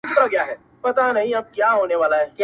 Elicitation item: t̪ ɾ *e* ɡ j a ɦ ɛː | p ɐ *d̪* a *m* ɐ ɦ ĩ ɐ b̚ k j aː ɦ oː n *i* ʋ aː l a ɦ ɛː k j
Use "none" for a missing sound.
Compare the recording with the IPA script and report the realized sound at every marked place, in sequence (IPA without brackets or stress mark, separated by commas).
a, t̪, n, e